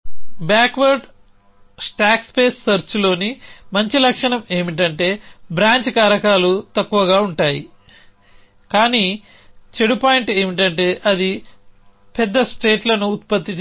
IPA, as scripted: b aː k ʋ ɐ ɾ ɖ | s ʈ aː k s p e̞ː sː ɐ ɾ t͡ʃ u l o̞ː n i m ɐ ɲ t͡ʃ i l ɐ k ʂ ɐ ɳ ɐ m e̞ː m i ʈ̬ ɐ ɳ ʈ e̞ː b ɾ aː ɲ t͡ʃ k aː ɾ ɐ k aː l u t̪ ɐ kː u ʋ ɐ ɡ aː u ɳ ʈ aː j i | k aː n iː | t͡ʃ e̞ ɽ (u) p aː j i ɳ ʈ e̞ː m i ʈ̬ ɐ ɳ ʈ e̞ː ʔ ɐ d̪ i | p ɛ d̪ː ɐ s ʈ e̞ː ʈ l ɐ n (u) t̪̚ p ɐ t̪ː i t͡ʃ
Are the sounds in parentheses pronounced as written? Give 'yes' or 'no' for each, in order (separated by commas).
yes, no